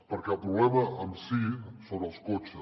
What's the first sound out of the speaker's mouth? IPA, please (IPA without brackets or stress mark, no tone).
p